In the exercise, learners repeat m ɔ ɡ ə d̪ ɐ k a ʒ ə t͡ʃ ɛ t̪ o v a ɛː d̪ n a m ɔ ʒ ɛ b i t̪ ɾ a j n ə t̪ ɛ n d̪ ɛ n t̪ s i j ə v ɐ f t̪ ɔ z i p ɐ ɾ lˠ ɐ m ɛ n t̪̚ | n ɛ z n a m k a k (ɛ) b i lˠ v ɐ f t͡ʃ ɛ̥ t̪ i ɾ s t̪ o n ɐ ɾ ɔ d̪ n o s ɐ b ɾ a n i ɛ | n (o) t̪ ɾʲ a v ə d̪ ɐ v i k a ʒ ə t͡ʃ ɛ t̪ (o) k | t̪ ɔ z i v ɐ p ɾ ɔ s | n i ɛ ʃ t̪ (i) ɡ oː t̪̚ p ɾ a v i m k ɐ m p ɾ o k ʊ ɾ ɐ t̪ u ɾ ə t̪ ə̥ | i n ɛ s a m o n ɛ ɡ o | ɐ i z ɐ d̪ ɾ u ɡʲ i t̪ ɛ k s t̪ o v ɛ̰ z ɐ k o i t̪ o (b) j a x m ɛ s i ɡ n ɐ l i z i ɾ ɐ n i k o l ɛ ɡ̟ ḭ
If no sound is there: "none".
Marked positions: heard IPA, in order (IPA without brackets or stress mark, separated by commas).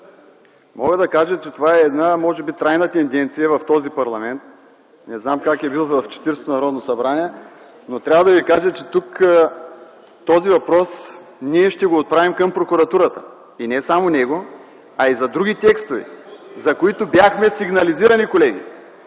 ɛ, o, u, ɛ, b